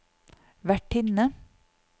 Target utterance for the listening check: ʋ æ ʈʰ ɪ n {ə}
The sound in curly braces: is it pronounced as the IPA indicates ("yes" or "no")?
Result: yes